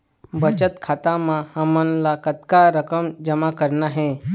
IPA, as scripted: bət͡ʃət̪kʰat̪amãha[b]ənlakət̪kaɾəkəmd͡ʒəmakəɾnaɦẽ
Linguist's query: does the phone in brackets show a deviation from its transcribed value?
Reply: yes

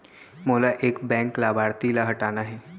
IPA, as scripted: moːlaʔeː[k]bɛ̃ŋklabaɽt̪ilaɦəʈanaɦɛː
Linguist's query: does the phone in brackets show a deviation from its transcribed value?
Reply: no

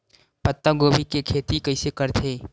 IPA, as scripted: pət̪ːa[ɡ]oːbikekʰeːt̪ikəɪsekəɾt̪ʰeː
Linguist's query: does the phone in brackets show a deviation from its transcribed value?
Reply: no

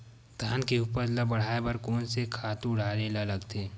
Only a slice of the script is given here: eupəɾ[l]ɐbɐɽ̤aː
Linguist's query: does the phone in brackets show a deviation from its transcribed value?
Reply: no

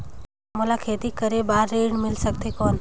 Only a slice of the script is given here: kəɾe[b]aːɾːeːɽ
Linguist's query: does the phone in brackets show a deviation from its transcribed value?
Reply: no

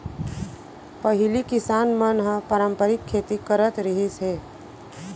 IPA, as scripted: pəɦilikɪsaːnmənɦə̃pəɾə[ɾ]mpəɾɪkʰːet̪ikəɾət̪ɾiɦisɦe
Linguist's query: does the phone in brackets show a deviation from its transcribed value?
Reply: yes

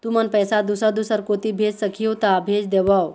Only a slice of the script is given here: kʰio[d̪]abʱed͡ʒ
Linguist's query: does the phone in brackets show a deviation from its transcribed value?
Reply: yes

